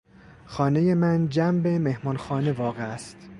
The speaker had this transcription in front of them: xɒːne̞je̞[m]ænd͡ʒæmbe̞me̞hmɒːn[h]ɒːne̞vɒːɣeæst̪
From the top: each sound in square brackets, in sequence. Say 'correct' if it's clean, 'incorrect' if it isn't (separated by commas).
correct, incorrect